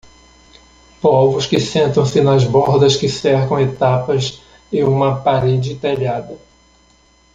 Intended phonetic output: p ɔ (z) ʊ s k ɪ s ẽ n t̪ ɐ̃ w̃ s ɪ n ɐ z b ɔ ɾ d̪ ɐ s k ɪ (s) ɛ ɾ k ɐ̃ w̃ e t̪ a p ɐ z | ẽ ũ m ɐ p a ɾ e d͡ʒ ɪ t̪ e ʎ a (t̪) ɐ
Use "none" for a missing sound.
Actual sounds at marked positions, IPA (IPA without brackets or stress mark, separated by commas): v, s, d̪